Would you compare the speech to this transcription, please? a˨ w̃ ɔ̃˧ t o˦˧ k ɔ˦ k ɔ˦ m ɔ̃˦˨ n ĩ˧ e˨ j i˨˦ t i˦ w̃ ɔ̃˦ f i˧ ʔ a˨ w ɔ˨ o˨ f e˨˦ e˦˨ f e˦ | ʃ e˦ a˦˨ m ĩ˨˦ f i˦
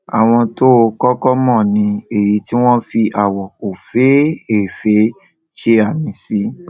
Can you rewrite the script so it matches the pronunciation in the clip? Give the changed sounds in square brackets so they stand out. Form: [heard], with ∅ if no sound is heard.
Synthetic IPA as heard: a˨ w̃ ɔ̃˧ t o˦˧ k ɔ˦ k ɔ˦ m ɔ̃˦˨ n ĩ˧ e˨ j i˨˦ t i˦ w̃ ɔ̃˦ f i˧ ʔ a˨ w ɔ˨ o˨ f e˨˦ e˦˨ f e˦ | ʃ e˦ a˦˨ m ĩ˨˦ [s] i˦